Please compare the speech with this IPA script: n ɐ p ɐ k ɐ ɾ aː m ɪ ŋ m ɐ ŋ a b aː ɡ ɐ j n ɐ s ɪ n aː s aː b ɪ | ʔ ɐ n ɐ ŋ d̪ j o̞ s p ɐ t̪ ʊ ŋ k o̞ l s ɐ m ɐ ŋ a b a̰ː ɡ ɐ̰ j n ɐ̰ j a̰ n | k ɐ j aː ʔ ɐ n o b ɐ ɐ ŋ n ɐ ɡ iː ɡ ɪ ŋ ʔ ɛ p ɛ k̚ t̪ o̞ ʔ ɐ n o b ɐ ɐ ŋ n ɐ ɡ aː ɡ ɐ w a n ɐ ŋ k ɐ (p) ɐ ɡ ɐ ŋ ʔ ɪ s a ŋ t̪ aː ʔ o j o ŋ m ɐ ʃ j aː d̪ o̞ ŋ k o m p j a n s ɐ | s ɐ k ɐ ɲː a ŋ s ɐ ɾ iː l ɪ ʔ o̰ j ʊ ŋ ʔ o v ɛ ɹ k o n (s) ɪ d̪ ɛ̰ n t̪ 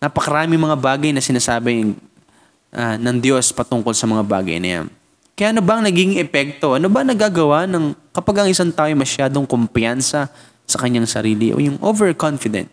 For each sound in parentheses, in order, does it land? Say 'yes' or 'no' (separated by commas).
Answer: yes, no